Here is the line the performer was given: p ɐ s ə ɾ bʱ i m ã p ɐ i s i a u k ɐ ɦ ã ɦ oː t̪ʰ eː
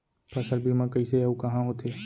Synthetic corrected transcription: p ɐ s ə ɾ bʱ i m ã k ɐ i s e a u k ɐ ɦ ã ɦ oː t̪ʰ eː